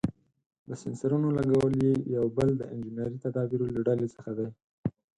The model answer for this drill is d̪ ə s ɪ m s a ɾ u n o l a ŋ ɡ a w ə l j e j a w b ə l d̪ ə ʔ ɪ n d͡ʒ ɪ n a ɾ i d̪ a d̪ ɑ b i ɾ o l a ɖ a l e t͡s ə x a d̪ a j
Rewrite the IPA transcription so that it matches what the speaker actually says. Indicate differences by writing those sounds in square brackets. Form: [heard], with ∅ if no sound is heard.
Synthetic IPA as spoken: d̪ ə s ɪ [n] s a ɾ u n o l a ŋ ɡ a w ə l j e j a w b ə l d̪ ə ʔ ɪ n d͡ʒ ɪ n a ɾ i [t̪] a d̪ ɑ b i ɾ o l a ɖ a l e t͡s ə x a d̪ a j